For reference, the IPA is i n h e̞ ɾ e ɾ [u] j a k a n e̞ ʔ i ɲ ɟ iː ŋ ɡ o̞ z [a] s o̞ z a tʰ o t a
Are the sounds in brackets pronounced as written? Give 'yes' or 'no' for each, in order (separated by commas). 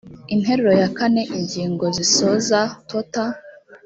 no, no